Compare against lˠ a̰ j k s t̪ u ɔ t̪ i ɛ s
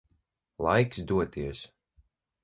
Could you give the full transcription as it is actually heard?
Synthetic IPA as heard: lˠ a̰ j k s d̪ u ɔ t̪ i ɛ s